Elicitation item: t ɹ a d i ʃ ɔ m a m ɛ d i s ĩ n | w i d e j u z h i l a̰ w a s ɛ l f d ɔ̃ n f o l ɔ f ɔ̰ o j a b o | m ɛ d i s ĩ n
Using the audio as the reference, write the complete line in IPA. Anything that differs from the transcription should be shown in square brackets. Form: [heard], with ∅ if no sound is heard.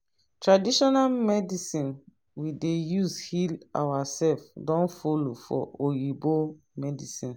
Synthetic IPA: t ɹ a d i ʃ ɔ [n] a m ɛ d i s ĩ n | w i d e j u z h i l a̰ w a s ɛ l f d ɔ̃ n f o l [o] f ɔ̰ o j [i] b o | m ɛ d i s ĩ n